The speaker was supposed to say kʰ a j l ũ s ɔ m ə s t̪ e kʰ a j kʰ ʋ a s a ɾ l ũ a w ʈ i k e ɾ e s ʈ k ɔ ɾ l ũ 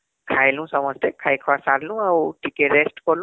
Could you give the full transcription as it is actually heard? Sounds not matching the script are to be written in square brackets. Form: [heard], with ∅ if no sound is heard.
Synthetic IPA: kʰ a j l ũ s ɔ m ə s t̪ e kʰ a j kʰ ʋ a s a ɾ l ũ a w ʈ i k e ɾ e s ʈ k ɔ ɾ l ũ